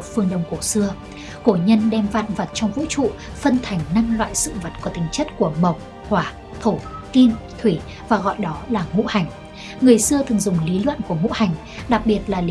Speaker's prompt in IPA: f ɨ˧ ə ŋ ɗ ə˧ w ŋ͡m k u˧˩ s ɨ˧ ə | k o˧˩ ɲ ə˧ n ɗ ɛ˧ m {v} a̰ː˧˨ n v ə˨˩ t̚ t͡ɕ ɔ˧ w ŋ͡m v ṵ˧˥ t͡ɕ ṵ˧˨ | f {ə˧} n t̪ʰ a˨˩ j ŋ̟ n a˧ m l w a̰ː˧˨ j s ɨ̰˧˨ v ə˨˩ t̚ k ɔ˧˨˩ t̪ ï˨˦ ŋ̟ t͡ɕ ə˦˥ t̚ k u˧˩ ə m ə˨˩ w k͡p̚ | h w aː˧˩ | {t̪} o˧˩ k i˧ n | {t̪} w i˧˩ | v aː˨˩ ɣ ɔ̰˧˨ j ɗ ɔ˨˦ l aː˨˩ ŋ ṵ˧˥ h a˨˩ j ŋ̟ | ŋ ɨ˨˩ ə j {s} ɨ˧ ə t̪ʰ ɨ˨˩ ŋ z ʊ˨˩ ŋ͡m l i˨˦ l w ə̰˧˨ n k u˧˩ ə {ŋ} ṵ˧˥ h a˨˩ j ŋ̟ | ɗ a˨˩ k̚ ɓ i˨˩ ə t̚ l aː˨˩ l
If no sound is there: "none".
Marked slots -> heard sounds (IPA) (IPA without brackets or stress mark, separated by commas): v, ə˧, t̪ʰ, t̪ʰ, s, ŋ